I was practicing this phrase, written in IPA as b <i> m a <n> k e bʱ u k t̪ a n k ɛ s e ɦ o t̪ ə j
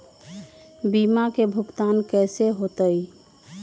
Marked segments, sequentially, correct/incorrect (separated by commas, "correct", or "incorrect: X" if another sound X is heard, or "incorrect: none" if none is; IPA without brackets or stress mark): correct, incorrect: none